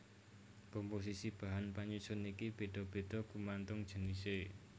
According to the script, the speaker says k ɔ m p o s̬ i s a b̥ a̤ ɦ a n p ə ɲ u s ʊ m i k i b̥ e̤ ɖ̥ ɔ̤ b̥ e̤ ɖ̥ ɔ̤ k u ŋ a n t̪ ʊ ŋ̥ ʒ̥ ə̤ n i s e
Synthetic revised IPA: k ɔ m p o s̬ i s i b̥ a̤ ɦ a n p a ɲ u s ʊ n i k i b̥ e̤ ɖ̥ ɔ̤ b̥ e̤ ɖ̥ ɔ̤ k u m a n t̪ ʊ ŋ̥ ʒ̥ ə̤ n i s e